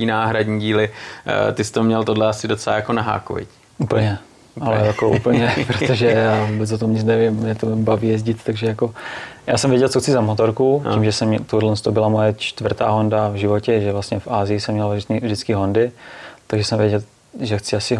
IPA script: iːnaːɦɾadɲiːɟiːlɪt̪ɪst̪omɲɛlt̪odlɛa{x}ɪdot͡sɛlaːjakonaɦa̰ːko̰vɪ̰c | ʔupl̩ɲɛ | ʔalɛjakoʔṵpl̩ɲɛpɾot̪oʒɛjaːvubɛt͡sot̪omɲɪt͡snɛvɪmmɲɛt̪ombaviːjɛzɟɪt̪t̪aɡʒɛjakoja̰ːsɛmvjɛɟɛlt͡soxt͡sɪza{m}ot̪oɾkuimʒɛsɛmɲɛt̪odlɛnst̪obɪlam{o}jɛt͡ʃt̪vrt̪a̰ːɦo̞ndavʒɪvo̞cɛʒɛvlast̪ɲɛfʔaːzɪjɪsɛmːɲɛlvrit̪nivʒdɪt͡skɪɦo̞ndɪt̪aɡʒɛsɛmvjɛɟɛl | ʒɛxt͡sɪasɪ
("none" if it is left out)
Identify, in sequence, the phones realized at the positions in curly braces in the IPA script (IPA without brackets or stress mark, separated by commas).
s, m, o